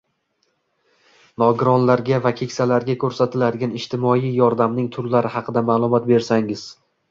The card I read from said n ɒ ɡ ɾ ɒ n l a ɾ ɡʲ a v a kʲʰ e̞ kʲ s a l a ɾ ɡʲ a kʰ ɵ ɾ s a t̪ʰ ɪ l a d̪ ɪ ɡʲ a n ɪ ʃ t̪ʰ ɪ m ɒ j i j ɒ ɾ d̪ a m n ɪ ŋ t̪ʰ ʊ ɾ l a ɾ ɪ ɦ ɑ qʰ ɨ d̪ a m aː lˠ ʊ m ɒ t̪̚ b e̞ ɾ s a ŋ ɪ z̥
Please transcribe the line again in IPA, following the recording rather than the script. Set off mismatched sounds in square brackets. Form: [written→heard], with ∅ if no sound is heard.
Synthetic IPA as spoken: n ɒ ɡ ɾ ɒ n l a ɾ ɡʲ a v a kʲʰ e̞ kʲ s a l a ɾ ɡʲ a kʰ ɵ ɾ s a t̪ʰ ɪ l a d̪ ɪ ɡʲ a n ɪ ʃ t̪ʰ ɪ m ɒ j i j ɒ ɾ d̪ a m n ɪ ŋ t̪ʰ ʊ ɾ l a ɾ ɪ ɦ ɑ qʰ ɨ d̪ a m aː lˠ ʊ m ɒ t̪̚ b e̞ ɾ s a ŋ ɪ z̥